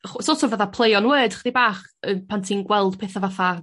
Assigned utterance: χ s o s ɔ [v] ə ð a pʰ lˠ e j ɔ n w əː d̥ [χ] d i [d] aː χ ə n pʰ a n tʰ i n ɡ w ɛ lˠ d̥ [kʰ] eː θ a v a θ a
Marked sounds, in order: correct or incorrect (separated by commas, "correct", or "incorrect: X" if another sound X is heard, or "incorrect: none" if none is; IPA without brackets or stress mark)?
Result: correct, correct, incorrect: b, incorrect: pʰ